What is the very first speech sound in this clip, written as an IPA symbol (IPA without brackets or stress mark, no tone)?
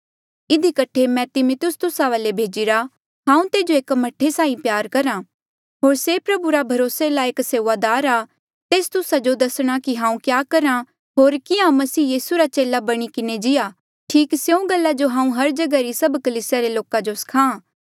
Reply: ɪ